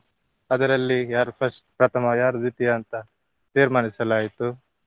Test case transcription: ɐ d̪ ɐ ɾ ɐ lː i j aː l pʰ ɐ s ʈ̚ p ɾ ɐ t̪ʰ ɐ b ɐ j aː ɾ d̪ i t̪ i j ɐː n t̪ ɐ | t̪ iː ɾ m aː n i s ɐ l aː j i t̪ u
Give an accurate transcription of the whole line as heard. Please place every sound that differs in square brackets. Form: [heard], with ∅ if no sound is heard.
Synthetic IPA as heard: ɐ d̪ ɐ ɾ ɐ lː i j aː [ɾ] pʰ ɐ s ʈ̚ p ɾ ɐ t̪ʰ ɐ [m] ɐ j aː ɾ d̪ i t̪ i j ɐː n t̪ ɐ | t̪ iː ɾ m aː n i s ɐ l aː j i t̪ u